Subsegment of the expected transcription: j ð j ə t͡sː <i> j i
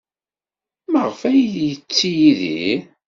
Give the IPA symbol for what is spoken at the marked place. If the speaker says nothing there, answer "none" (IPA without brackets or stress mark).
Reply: i